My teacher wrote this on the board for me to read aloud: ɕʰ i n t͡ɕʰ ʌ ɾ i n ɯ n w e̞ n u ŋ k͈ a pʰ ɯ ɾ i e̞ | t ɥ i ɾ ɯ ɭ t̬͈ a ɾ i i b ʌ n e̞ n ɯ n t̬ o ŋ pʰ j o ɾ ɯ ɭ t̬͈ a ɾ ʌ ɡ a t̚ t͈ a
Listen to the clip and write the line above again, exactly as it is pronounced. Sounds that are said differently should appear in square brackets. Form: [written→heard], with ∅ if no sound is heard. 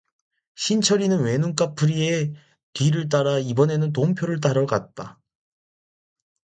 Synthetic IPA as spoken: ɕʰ i n t͡ɕʰ ʌ ɾ i n ɯ n w e̞ n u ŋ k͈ a pʰ ɯ ɾ i e̞ | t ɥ i ɾ ɯ ɭ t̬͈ a ɾ [i→a] i b ʌ n e̞ n ɯ n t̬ o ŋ pʰ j o ɾ ɯ ɭ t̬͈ a ɾ ʌ ɡ a t̚ t͈ a